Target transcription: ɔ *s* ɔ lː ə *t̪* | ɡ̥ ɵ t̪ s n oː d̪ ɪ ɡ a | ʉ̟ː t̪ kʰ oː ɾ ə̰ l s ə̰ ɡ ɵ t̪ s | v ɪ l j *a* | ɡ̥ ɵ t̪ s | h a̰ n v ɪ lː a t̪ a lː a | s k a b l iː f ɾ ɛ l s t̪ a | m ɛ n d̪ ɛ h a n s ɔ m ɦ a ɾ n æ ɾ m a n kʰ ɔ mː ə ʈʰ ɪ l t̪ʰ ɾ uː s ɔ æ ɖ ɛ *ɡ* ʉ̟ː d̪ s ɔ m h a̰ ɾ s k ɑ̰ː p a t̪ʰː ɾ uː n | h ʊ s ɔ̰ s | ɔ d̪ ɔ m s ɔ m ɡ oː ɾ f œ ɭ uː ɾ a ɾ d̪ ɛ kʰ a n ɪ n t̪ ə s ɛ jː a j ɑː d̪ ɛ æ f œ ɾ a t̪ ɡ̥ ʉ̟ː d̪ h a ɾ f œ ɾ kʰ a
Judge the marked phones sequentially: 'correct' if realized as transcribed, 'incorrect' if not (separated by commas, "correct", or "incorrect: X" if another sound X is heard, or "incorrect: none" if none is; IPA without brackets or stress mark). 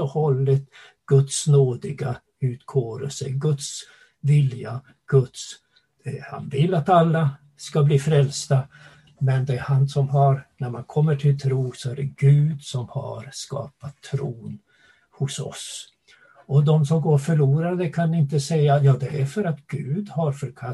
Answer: incorrect: h, correct, correct, correct